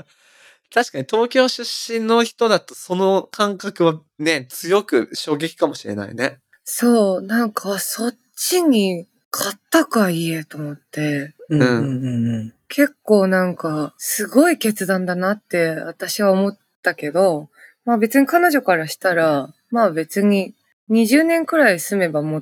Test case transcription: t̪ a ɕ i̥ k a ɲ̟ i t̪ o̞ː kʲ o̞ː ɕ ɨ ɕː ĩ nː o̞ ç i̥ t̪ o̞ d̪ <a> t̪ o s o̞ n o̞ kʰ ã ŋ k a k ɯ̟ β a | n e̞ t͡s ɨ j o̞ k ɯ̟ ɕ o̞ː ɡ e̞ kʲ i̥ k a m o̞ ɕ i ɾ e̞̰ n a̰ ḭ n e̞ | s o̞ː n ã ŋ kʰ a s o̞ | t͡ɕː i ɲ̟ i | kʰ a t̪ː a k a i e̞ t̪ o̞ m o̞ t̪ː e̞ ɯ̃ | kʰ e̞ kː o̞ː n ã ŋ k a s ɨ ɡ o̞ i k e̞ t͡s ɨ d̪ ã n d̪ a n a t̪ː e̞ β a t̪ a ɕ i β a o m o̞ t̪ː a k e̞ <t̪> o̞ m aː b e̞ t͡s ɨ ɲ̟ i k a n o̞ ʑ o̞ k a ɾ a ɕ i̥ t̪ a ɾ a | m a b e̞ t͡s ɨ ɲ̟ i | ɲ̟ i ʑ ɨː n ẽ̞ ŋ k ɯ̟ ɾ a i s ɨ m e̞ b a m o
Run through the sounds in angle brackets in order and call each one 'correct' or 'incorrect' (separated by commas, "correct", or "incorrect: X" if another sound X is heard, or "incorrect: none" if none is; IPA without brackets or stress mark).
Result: correct, incorrect: d̪